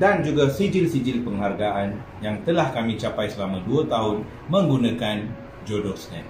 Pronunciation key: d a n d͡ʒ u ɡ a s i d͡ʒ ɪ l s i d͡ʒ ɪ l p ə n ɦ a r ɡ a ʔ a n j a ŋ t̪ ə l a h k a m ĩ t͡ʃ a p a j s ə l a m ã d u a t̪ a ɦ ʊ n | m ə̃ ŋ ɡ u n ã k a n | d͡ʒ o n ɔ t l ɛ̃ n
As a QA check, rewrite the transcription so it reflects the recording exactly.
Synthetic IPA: d a n d͡ʒ u ɡ a s i d͡ʒ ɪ l s i d͡ʒ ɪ l p ə ŋ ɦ a r ɡ a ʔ a n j a ŋ t̪ ə l a h k a m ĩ t͡ʃ a p a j s ə l a m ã d u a t̪ a ɦ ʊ n | m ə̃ ŋ ɡ u n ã k a n | d͡ʒ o d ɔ s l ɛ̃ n